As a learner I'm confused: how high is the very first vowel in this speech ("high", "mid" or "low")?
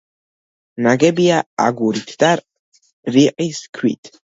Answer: low